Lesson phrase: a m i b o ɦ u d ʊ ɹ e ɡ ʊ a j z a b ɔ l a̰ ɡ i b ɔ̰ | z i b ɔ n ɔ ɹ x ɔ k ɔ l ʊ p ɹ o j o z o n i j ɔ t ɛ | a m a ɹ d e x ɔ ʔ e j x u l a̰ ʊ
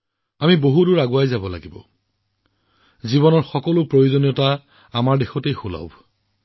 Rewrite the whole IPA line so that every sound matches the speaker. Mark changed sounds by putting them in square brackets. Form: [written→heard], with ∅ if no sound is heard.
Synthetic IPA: a m i b o ɦ u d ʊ ɹ [e→a] ɡ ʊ a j z a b ɔ l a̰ ɡ i b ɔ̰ | z i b ɔ n ɔ ɹ x ɔ k ɔ l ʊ p ɹ o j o z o n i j ɔ t [ɛ→a] | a m a ɹ d e x ɔ [ʔ→t] e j x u l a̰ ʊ